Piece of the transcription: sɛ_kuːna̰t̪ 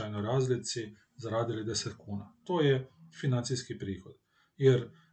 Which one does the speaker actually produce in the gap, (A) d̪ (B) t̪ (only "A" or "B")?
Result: B